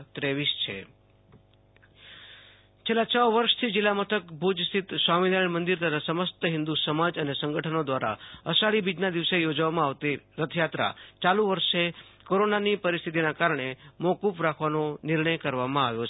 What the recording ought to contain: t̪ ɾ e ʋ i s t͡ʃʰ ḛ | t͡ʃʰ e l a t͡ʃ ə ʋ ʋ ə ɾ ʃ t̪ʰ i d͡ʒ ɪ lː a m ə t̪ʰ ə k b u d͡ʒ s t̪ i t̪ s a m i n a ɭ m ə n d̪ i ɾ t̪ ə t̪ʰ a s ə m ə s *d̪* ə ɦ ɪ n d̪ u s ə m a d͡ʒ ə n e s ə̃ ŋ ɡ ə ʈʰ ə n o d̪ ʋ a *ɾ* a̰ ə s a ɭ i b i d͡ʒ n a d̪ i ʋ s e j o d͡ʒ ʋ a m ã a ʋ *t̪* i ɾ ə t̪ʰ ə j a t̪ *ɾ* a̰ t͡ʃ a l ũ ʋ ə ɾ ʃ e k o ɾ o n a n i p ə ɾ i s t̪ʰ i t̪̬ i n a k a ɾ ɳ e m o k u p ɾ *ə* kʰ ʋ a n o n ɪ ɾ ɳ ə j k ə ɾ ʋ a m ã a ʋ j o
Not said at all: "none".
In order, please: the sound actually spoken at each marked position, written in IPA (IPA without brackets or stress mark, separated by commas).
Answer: t̪, ɾ, t̪, ɾ, a